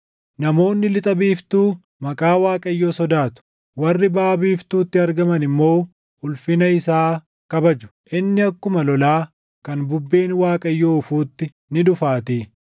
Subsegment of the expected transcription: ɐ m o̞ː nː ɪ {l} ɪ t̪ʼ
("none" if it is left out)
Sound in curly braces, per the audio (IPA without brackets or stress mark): l